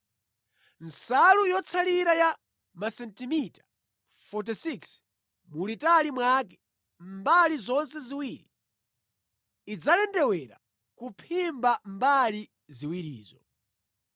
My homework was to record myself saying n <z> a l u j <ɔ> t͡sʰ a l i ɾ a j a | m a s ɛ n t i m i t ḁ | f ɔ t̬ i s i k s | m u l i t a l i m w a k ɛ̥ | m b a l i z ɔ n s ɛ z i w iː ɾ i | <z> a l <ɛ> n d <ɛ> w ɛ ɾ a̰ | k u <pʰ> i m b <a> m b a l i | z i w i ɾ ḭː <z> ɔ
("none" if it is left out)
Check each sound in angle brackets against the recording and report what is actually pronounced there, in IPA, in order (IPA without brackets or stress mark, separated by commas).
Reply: s, ɔ, d͡z, ɛ, ɛ, pʰ, a, z